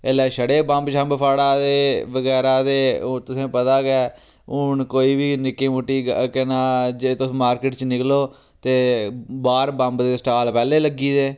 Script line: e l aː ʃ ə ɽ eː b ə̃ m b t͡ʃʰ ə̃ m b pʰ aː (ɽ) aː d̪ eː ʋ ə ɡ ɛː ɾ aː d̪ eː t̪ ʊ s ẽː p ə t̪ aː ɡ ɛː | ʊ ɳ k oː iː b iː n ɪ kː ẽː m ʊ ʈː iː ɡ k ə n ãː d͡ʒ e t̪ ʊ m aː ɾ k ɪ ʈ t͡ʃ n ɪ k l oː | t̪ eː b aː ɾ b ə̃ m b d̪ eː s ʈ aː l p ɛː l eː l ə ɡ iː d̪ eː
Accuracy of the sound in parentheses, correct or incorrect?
correct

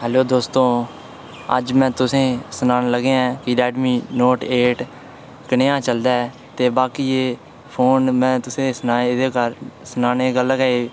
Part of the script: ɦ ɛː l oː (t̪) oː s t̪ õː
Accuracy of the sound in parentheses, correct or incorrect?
incorrect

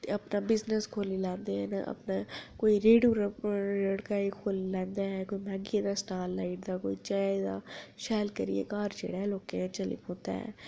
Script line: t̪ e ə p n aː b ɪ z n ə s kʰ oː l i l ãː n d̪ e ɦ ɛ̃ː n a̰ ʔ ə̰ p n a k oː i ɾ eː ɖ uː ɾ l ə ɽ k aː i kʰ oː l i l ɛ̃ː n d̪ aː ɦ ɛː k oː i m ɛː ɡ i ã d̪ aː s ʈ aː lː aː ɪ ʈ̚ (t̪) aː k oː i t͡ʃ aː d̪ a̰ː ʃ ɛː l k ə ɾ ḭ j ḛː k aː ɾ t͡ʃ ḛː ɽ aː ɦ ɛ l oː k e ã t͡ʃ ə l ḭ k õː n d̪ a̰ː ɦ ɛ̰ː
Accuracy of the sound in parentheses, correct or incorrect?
incorrect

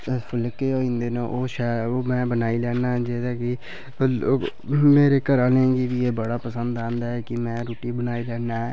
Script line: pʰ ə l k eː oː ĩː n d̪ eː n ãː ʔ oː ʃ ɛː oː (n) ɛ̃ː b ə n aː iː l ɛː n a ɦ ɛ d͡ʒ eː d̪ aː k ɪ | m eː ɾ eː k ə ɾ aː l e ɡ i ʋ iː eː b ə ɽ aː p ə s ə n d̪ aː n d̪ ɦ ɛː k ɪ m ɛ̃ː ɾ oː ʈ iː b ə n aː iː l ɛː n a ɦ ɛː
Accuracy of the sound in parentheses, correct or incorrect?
incorrect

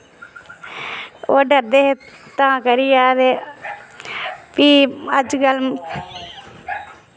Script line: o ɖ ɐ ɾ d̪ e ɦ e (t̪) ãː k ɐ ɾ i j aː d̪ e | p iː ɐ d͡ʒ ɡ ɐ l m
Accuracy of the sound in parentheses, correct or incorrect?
correct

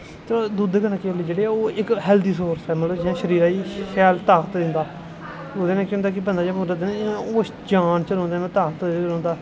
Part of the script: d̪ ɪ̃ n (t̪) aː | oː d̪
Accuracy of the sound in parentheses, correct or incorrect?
incorrect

